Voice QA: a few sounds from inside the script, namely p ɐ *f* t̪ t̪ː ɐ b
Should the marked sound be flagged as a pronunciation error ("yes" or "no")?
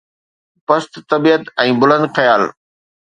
yes